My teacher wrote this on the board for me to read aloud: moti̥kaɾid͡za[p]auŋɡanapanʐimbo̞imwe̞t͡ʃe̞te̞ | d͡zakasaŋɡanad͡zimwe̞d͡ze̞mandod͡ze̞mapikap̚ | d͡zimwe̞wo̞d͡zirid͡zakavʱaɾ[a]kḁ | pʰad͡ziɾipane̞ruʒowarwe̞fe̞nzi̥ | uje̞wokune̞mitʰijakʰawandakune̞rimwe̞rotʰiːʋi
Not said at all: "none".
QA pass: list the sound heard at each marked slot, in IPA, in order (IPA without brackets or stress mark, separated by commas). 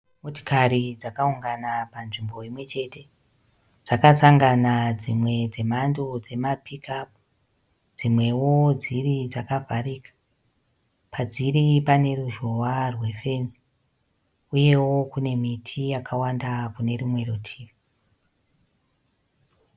k, i